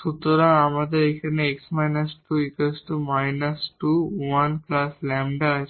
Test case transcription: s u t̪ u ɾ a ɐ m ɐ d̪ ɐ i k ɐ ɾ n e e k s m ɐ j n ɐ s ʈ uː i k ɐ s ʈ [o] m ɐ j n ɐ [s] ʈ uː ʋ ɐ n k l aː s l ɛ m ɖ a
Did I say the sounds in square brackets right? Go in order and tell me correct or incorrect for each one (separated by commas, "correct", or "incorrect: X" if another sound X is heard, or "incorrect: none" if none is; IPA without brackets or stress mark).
incorrect: u, correct